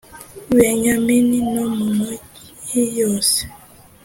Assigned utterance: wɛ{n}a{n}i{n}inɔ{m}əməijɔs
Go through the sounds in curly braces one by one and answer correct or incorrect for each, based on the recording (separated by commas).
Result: incorrect, incorrect, correct, correct